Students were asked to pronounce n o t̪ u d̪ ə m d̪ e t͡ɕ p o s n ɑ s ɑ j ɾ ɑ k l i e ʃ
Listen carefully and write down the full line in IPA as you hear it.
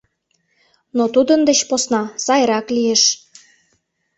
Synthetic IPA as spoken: n o t̪ u d̪ ə n d̪ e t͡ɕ p o s n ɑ s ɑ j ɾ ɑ k l i e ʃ